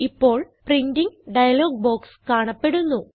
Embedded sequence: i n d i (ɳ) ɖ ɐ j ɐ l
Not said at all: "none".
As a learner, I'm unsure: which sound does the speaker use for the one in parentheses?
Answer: ŋ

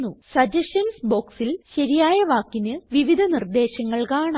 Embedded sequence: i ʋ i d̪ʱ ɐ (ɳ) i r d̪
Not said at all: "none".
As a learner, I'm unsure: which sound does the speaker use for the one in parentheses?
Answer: n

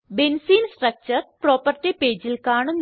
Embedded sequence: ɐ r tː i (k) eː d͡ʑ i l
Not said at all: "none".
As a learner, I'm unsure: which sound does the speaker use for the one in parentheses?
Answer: p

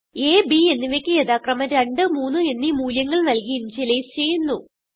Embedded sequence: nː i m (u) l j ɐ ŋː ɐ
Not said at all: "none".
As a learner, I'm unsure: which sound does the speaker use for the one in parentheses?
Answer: uː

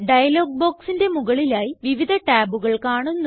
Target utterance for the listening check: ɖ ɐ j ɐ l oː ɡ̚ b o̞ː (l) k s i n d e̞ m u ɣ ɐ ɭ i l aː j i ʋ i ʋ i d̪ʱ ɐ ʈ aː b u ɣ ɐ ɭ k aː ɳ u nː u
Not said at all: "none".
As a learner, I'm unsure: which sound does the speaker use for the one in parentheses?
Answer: none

